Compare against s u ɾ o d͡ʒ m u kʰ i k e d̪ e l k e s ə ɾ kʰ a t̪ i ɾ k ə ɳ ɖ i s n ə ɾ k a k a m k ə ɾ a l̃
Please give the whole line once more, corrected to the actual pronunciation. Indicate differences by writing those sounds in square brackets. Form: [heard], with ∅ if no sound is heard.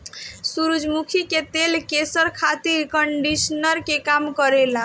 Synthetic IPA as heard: s u ɾ [u] d͡ʒ m u kʰ i k e [t̪] e l k e s ə ɾ kʰ a t̪ i ɾ k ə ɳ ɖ i s n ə ɾ k [e] k a m k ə ɾ [e] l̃